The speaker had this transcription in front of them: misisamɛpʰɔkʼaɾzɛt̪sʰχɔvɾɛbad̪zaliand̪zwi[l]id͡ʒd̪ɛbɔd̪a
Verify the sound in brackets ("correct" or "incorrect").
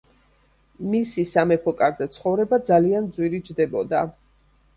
incorrect